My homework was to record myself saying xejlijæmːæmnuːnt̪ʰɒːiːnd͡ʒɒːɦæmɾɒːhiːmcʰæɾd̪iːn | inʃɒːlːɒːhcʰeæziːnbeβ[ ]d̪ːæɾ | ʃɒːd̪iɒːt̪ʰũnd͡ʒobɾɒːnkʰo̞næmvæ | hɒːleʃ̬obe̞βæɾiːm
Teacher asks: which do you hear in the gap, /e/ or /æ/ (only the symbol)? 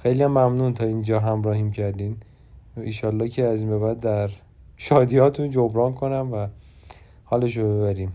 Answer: æ